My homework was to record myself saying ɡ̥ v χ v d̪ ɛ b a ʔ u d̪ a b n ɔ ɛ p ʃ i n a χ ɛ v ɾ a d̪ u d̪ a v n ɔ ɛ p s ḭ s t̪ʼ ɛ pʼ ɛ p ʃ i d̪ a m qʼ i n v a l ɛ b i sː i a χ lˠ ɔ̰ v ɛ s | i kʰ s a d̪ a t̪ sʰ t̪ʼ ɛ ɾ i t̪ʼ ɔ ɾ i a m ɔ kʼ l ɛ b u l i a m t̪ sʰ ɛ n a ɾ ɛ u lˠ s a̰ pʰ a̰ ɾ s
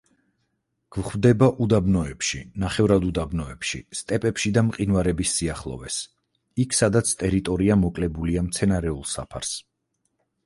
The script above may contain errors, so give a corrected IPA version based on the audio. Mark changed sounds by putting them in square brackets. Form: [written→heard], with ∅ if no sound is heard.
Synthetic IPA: ɡ̥ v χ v d̪ ɛ b a ʔ u d̪ a b n ɔ ɛ p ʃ i n a χ ɛ v ɾ a d̪ u d̪ a [v→b] n ɔ ɛ p [s→ʃ] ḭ s t̪ʼ ɛ pʼ ɛ p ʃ i d̪ a m qʼ i n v a [l→ɾ] ɛ b i sː i a χ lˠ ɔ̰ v ɛ s | i kʰ s a d̪ a t̪ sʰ t̪ʼ ɛ ɾ i t̪ʼ ɔ ɾ i a m ɔ kʼ l ɛ b u l i a m t̪ sʰ ɛ n a ɾ ɛ u lˠ s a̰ pʰ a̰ ɾ s